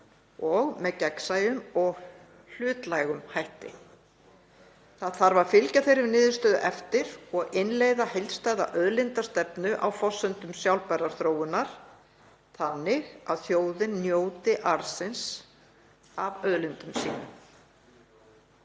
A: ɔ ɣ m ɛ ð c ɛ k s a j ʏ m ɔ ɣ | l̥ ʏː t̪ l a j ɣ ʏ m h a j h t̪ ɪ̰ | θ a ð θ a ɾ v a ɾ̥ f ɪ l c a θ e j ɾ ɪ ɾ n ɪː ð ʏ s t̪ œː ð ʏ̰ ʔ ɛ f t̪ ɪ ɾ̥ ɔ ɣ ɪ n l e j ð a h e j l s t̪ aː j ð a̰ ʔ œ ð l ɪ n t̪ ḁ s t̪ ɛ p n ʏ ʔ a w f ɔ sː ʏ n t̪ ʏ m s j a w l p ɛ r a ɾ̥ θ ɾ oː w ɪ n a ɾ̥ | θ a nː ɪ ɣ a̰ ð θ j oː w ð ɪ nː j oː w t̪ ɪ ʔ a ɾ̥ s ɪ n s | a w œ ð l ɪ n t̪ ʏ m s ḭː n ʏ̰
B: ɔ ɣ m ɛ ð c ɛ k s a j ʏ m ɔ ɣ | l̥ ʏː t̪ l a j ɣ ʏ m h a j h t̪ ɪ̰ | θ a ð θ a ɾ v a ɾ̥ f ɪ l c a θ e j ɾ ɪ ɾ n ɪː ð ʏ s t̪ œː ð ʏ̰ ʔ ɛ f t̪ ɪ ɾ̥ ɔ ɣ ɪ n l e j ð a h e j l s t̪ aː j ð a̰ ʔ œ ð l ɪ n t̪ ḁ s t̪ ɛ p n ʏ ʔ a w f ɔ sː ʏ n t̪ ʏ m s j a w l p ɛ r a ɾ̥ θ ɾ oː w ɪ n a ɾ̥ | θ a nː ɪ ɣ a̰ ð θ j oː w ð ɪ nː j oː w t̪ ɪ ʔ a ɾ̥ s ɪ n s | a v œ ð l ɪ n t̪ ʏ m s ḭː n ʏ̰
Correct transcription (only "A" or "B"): B